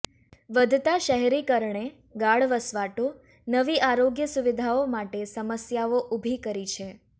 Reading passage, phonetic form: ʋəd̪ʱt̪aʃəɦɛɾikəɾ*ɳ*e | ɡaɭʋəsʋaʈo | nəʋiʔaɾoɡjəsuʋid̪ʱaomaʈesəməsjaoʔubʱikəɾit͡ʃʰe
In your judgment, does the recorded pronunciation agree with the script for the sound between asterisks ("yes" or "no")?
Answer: yes